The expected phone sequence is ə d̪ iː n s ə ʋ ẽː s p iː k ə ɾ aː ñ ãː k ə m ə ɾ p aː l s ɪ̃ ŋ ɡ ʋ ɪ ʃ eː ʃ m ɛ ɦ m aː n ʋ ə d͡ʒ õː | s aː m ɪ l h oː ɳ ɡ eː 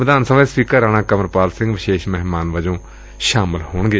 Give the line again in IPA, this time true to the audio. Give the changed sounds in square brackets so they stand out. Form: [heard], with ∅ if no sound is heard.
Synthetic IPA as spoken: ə d̪ [aː] n s ə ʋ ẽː s p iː k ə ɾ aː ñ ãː k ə m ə ɾ p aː l s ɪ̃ ŋ ɡ ʋ ɪ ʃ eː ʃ m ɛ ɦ m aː n ʋ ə d͡ʒ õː | [ʃ] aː m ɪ l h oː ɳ ɡ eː